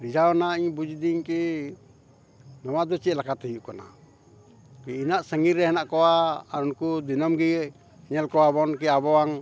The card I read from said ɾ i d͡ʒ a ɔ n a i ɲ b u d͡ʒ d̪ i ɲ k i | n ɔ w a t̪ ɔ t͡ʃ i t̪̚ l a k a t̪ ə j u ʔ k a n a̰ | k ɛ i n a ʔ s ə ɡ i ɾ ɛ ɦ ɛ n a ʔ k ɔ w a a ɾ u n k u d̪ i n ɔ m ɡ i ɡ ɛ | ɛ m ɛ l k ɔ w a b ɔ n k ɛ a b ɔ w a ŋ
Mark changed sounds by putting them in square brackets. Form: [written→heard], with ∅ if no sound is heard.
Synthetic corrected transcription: ɾ i d͡ʒ a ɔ n a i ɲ b u d͡ʒ d̪ i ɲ k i | n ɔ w a [t̪→d̪] ɔ t͡ʃ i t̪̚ l a k a t̪ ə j u ʔ k a n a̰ | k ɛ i n a ʔ s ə [ɡ→ŋ] i ɾ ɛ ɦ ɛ n a ʔ k ɔ w a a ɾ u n k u d̪ i n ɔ m ɡ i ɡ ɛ | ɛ [m→ɲ] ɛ l k ɔ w a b ɔ n k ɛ a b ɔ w a ŋ